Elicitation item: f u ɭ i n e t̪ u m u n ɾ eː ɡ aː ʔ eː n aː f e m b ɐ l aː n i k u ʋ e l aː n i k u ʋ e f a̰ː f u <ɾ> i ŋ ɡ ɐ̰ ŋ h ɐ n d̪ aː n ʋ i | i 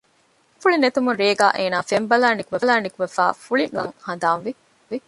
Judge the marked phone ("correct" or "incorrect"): incorrect